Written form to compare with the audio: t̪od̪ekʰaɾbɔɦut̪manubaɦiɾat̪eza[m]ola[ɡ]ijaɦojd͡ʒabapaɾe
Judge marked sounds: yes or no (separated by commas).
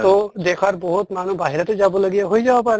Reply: no, yes